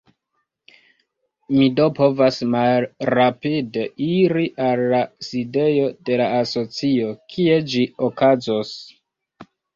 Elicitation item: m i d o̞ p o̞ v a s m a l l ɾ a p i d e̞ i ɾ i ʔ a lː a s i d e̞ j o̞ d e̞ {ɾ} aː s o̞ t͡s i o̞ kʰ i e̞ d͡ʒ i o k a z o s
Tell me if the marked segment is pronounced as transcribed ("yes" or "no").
no